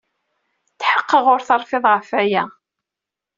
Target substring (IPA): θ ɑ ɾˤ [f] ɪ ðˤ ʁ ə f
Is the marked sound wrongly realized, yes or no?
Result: no